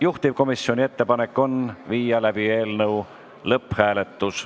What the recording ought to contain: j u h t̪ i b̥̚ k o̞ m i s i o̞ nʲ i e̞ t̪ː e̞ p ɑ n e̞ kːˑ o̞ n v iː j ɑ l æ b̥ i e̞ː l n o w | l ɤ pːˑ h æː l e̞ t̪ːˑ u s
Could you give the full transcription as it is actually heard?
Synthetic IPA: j u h t̪ i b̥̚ k o̞ m i s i o̞ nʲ i e̞ t̪ː e̞ p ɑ n e̞ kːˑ o̞ n v iː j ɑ l æ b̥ i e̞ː l n ɤ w | l ɤ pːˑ h æː l e̞ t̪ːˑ u s